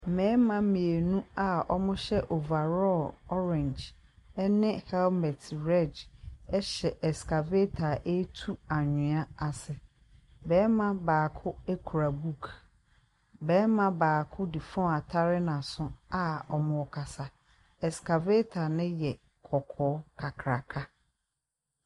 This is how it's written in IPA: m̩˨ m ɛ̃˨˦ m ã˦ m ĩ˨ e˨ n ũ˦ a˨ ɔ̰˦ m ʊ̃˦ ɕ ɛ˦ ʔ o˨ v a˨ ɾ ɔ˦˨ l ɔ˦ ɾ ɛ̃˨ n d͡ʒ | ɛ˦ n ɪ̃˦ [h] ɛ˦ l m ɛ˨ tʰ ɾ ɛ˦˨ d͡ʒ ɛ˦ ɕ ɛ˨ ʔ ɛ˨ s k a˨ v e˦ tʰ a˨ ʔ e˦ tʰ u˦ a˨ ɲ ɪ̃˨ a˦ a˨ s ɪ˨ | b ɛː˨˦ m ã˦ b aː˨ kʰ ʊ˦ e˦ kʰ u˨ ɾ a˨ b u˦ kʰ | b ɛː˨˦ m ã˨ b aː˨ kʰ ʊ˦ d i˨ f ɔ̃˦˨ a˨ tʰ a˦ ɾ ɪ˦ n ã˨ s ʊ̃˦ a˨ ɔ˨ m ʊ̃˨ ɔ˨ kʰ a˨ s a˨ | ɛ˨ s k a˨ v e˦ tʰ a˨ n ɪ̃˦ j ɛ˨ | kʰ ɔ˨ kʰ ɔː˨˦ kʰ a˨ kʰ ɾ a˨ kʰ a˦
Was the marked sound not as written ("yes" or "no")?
no